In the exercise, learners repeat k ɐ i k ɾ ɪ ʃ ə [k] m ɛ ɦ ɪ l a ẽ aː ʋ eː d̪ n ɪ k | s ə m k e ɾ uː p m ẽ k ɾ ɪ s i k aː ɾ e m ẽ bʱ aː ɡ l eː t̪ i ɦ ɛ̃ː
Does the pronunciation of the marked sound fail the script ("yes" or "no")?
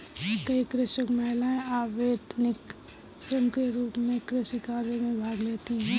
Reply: no